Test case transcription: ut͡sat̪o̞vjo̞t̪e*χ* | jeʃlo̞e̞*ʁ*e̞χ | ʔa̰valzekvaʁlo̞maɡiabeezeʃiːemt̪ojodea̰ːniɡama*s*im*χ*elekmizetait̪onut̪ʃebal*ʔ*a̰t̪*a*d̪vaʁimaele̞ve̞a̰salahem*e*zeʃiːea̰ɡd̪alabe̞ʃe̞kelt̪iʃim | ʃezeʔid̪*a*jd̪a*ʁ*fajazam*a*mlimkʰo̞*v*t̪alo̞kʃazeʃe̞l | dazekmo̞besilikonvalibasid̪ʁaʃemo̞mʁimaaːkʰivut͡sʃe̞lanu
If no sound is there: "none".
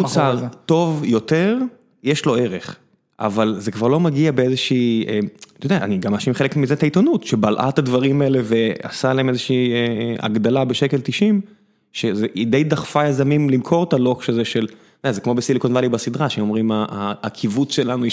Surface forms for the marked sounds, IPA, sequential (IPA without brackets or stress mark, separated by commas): ʁ, ʁ, ʃ, χ, ʔ, a, e, e, χ, i, ʁ